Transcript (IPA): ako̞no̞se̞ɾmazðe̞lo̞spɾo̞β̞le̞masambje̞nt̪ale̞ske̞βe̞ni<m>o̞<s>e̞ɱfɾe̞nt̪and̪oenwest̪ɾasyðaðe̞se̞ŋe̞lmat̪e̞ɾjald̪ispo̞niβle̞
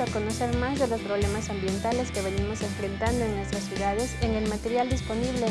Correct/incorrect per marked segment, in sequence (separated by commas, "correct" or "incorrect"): correct, correct